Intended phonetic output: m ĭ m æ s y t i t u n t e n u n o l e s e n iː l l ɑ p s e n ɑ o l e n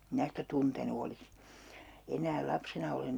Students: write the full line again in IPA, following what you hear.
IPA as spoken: m ĭ n æ s i t æ t u n t e n u o l i s e n æː l l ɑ p s e n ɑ o l e n